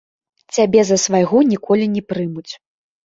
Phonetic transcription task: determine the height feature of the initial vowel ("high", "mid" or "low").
low